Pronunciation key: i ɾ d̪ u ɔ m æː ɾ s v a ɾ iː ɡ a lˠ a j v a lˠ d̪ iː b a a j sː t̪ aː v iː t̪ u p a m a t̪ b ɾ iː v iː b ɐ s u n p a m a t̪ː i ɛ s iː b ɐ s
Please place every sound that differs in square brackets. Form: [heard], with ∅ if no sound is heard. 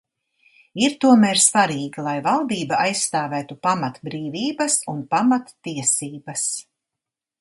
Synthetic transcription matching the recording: i ɾ [t̪] u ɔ m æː ɾ s v a ɾ iː ɡ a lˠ a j v a lˠ d̪ iː b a a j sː t̪ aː v [æː] t̪ u p a m a t̪ b ɾ iː v iː b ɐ s u n p a m a t̪ː i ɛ s iː b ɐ s